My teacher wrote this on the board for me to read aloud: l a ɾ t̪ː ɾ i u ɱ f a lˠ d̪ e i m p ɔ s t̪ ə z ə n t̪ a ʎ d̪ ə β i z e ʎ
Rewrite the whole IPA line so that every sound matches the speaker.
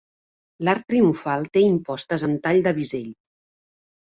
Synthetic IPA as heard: l a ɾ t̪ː ɾ i u ɱ f a lˠ t̪ e i m p ɔ s t̪ ə z ə n t̪ a ʎ d̪ ə β i z e ʎ